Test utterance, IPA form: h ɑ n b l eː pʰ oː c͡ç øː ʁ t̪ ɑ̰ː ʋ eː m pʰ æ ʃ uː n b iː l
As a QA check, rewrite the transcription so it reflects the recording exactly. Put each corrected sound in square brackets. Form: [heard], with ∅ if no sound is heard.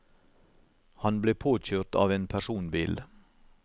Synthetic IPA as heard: h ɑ n b l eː pʰ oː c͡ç øː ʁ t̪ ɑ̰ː ʋ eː [n] pʰ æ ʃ uː n b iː l